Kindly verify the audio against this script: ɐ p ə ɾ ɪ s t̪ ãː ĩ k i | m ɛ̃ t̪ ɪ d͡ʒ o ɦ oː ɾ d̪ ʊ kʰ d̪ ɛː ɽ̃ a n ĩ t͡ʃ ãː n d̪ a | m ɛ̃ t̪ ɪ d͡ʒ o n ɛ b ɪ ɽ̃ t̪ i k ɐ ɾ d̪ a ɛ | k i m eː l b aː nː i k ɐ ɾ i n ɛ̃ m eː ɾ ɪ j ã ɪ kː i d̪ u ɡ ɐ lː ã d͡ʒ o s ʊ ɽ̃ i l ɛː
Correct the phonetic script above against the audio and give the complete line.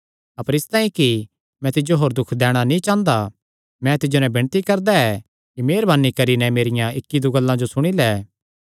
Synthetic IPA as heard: ɐ p ə ɾ ɪ s t̪ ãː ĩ k i | m ɛ̃ t̪ ɪ d͡ʒ o ɦ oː ɾ d̪ ʊ kʰ d̪ ɛː ɽ̃ a n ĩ t͡ʃ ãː n d̪ a | m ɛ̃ t̪ ɪ d͡ʒ o n ɛ b ɪ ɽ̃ t̪ i k ɐ ɾ d̪ a ɛ | k i m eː ɾ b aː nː i k ɐ ɾ i n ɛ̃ m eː ɾ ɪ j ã ɪ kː i d̪ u ɡ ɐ lː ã d͡ʒ o s ʊ ɽ̃ i l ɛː

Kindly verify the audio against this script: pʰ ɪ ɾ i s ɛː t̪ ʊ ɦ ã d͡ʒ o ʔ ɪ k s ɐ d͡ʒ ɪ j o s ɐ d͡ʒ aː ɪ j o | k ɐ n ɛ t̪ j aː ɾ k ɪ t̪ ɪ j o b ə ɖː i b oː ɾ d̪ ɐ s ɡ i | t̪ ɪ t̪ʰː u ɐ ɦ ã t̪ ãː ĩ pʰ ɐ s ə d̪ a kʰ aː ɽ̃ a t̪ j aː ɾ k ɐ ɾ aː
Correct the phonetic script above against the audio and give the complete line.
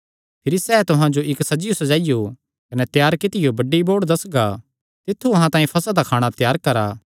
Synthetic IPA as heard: pʰ ɪ ɾ i s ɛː t̪ ʊ ɦ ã d͡ʒ o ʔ ɪ k s ɐ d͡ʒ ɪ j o s ɐ d͡ʒ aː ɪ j o | k ɐ n ɛ t̪ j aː ɾ k ɪ t̪ ɪ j o b ɐ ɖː i b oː ɽ d̪ ɐ s ɡ a | t̪ ɪ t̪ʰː u ɐ ɦ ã t̪ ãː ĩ pʰ ɐ s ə d̪ a kʰ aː ɽ̃ a t̪ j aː ɾ k ɐ ɾ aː

